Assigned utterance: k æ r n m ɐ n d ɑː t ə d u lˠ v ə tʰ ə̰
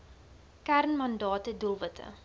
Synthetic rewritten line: k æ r n m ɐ n d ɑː t ə d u lˠ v ə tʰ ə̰